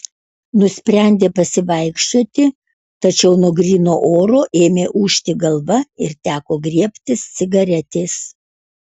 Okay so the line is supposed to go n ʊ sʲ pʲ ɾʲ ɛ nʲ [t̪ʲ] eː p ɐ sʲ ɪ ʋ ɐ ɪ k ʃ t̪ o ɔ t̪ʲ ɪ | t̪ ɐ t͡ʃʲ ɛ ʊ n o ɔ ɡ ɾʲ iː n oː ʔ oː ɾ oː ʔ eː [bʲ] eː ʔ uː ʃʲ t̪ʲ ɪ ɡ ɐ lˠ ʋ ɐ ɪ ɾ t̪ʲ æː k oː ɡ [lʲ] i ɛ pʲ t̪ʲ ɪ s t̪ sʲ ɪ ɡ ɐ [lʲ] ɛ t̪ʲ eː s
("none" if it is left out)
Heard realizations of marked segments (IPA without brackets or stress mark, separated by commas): d̪ʲ, mʲ, ɾʲ, ɾʲ